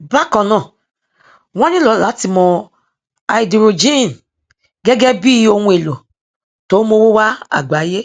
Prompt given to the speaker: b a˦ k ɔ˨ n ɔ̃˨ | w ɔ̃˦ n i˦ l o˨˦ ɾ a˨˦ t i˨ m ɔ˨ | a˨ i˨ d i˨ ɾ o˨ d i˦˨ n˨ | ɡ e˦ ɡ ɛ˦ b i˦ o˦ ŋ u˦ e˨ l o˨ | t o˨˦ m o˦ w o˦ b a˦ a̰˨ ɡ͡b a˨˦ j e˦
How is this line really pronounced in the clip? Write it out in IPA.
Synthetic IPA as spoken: b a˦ k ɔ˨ n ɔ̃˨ | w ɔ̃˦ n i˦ l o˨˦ l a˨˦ t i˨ m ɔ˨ | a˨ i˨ d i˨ ɾ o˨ d͡ʒ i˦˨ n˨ | ɡ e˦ ɡ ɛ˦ b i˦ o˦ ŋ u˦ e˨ l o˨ | t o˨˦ m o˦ w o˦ w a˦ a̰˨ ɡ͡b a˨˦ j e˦